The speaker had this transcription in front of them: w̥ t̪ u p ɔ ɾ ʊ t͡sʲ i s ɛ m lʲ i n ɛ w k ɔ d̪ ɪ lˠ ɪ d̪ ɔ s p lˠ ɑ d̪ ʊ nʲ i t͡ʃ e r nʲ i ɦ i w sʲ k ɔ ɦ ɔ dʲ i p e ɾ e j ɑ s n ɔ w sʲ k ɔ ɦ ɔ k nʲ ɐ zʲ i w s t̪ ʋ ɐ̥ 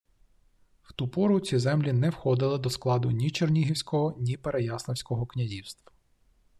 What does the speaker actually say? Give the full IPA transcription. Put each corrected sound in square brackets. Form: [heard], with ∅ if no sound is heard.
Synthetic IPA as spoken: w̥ t̪ u p ɔ ɾ ʊ t͡sʲ i [z] ɛ m lʲ i n ɛ w [x] ɔ d̪ ɪ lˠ ɪ d̪ ɔ s [k] lˠ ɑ d̪ ʊ nʲ i t͡ʃ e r nʲ i ɦ i w sʲ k ɔ ɦ ɔ [nʲ] i p e ɾ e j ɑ s n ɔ w sʲ k ɔ ɦ ɔ k nʲ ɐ zʲ i w s t̪ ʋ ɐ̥